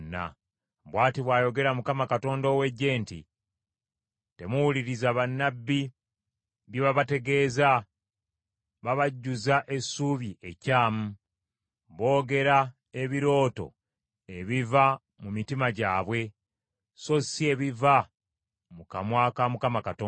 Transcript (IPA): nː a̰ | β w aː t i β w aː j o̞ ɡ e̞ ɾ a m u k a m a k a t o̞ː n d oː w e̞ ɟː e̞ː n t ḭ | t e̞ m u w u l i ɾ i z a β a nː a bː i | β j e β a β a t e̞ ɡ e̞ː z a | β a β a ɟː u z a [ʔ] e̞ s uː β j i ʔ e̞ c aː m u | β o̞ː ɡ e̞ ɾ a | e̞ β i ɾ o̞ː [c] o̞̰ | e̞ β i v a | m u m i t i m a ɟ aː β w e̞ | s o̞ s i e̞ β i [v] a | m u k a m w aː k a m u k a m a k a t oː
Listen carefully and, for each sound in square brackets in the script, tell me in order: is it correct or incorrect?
correct, incorrect, correct

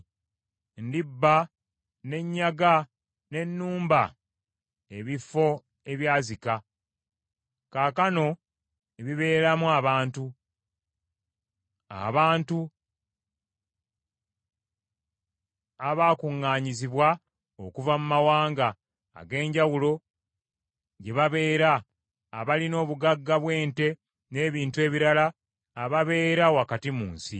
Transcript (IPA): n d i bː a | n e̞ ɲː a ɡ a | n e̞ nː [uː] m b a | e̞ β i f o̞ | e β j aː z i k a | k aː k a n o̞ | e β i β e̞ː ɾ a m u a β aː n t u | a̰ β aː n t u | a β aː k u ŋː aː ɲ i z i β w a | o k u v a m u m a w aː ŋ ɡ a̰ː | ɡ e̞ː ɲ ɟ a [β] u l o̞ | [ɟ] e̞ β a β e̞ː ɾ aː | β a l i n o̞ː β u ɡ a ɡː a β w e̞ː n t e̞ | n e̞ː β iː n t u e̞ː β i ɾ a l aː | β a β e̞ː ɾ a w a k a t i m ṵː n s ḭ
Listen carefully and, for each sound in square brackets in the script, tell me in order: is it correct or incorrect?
correct, incorrect, correct

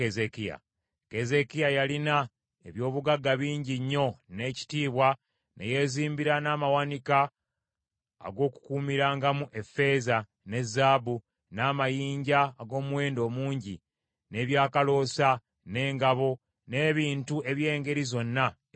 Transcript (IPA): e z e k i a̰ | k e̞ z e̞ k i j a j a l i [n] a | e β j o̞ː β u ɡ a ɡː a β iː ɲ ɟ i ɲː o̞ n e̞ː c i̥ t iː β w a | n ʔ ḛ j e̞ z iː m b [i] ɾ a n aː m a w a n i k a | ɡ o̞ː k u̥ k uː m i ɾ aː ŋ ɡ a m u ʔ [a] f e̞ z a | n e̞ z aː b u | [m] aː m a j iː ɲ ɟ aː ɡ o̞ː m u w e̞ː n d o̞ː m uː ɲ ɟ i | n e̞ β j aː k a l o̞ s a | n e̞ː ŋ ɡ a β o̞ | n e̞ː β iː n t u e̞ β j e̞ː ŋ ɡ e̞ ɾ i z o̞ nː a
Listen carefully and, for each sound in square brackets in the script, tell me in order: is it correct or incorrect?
correct, correct, incorrect, incorrect

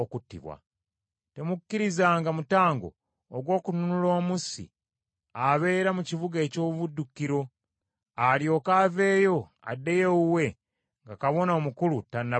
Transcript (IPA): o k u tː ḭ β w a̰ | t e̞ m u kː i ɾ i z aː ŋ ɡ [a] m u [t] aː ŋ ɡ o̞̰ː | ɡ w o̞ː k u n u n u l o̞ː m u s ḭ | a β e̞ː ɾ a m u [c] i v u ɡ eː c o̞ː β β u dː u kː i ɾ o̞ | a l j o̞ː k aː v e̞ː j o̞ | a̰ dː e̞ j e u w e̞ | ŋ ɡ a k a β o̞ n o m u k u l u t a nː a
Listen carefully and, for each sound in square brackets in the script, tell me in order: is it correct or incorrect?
correct, correct, correct

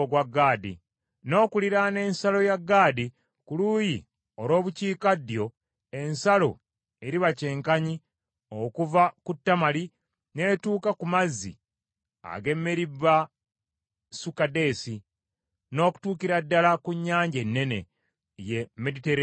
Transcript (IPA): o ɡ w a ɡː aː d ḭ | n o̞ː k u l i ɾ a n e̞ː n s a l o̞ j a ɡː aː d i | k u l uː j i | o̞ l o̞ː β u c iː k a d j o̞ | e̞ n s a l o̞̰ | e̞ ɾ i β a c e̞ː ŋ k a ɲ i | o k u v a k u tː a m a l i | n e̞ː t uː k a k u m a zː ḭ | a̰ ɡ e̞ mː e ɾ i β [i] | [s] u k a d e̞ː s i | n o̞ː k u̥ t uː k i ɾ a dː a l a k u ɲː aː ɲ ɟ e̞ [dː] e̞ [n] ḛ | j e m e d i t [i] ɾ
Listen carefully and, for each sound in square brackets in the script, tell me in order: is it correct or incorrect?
incorrect, correct, incorrect, correct, incorrect

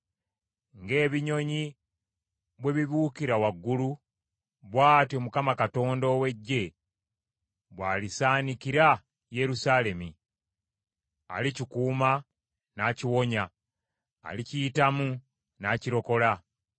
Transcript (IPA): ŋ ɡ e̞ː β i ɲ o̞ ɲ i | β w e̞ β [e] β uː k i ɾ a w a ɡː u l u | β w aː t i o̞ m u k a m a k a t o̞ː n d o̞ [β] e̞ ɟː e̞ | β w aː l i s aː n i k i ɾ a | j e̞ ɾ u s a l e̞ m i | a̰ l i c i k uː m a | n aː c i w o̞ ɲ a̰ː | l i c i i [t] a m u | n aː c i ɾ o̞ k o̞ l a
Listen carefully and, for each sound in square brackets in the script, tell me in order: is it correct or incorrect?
incorrect, incorrect, correct

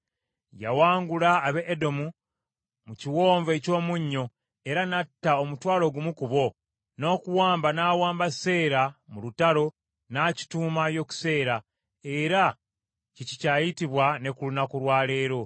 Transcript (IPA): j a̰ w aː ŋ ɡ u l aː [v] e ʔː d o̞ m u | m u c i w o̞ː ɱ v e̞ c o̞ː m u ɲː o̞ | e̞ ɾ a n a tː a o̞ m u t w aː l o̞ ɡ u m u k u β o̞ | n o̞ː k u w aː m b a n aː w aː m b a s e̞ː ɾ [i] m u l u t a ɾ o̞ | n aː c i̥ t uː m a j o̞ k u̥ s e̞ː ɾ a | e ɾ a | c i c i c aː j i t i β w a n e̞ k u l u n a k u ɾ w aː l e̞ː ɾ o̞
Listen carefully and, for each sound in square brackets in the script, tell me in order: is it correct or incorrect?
incorrect, incorrect

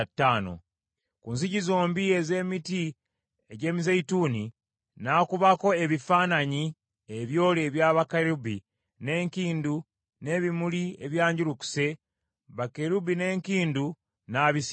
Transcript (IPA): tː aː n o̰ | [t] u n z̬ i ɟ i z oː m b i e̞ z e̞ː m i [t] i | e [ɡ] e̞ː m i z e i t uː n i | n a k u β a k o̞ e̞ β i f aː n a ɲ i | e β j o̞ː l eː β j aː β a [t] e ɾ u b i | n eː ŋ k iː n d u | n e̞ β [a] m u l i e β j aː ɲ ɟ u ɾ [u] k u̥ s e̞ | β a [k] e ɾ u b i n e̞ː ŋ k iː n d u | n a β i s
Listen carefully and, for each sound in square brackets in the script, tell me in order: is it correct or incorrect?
incorrect, correct, incorrect, incorrect, incorrect, correct, correct

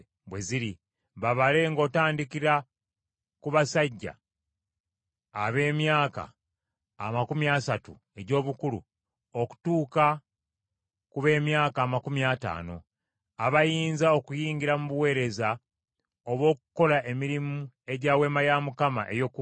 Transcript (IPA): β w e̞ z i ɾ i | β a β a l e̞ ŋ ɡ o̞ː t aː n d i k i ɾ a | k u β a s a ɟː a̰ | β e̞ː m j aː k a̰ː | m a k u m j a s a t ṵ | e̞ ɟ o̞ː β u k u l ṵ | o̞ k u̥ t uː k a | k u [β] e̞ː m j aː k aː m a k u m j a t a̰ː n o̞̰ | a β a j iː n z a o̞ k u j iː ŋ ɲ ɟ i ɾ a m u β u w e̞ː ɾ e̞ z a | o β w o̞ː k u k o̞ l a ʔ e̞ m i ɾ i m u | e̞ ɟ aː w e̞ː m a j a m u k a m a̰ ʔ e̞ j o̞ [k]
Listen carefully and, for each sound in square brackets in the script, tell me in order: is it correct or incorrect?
correct, correct

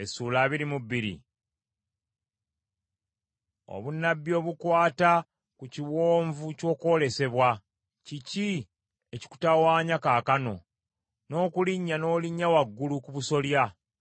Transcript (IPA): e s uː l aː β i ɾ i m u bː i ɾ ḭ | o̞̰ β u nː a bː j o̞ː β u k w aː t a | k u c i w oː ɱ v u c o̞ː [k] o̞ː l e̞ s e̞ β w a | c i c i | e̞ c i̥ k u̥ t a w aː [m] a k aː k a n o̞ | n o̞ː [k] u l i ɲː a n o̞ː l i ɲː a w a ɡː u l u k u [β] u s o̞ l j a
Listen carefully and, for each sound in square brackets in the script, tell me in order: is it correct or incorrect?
correct, incorrect, correct, correct

